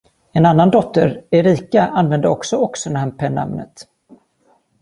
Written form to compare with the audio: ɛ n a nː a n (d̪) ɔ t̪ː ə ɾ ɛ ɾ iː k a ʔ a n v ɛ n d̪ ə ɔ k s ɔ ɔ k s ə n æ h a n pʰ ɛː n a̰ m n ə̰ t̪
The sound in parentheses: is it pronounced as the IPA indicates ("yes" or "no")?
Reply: yes